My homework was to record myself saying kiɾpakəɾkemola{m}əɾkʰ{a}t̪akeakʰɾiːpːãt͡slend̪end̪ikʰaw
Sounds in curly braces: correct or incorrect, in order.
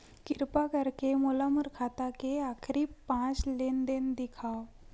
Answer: correct, correct

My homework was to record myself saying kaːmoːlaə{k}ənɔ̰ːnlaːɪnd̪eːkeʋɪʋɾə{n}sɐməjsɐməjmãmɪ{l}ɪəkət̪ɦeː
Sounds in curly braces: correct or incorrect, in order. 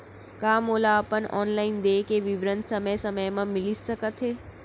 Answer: incorrect: p, correct, correct

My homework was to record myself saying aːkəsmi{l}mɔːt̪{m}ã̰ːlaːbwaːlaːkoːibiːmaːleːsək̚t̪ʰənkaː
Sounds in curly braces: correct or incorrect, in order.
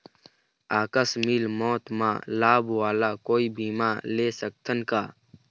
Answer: correct, correct

